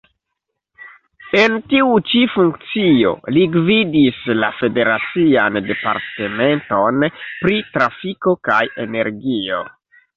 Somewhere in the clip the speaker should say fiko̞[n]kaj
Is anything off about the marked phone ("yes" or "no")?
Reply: yes